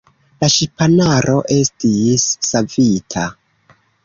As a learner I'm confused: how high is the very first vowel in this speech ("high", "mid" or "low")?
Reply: low